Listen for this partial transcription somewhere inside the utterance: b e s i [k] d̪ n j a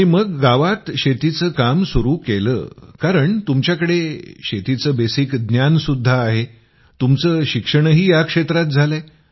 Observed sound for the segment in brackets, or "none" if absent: k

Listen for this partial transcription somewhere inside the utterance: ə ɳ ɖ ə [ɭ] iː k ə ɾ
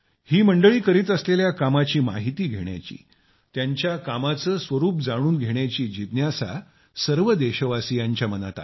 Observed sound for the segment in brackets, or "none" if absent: ɭ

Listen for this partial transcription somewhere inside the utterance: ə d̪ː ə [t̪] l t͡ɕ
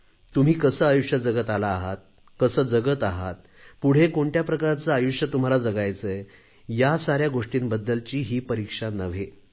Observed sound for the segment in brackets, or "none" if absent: none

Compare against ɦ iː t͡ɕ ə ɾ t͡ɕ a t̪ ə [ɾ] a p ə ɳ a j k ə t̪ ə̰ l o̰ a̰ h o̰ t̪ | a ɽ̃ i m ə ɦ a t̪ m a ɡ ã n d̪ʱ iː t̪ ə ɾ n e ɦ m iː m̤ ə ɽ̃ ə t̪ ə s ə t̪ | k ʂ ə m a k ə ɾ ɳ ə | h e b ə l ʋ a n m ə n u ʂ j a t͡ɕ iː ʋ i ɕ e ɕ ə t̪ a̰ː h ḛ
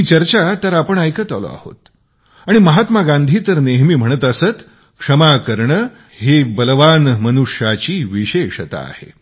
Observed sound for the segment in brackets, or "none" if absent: ɾ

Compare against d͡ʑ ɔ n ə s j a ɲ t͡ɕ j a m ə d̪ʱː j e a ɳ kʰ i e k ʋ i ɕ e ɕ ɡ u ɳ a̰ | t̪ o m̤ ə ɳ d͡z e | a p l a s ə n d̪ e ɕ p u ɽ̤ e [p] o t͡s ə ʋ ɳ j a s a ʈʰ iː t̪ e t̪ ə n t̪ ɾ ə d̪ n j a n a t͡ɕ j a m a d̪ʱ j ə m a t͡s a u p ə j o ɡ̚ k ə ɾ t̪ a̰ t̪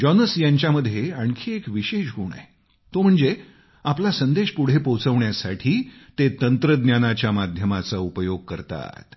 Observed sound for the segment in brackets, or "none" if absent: p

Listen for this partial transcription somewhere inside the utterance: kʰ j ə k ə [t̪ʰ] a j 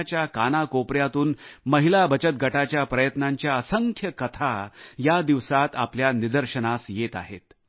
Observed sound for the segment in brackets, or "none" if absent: t̪ʰ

